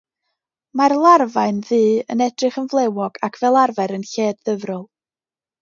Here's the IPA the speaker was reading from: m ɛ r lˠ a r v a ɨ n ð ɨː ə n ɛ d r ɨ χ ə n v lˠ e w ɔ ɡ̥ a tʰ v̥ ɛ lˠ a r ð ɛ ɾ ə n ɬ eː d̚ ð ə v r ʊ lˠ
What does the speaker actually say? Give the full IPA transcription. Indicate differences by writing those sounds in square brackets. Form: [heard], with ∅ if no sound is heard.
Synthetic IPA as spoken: m [a] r lˠ a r v a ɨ n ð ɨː ə n ɛ d r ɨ χ ə n v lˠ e w ɔ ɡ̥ a [kʰ] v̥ ɛ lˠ a r [v] ɛ ɾ ə n ɬ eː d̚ ð ə v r ʊ lˠ